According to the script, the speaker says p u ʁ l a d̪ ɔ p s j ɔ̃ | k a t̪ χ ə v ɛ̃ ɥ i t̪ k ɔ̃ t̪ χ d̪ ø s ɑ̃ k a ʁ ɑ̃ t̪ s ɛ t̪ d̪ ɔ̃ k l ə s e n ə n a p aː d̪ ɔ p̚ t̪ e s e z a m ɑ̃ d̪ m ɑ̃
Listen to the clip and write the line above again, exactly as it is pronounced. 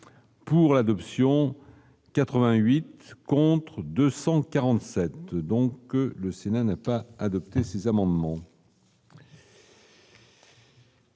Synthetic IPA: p u ʁ l a d̪ ɔ p s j ɔ̃ | k a t̪ χ ə v ɛ̃ ɥ i t̪ k ɔ̃ t̪ χ d̪ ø s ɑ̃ k a ʁ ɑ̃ t̪ s ɛ t̪ d̪ ɔ̃ k l ə s e n a n a p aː d̪ ɔ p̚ t̪ e s e z a m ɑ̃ d̪ m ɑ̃